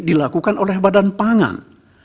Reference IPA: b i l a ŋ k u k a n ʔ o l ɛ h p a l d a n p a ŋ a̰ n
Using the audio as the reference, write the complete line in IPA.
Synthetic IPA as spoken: d i l a k u k a n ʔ o l ɛ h b a d a n p a ŋ a̰ n